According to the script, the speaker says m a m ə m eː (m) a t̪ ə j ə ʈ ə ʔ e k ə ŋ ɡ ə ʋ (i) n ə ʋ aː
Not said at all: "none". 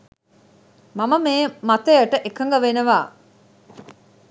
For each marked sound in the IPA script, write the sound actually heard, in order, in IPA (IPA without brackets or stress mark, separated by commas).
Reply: m, e